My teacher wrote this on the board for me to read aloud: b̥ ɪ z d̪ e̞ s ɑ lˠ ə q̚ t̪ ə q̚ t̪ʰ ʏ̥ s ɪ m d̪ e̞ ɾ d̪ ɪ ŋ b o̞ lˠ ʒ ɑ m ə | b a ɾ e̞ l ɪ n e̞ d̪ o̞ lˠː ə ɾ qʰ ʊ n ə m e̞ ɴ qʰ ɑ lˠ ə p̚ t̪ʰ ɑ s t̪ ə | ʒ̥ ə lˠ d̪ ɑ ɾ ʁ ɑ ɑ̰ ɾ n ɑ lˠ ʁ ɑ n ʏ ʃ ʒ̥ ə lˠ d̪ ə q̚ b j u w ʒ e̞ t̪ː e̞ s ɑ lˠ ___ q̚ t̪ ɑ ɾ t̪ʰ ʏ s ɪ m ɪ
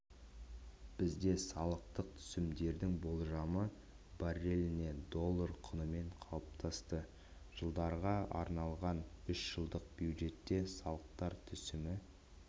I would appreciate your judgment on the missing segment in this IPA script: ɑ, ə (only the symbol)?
ə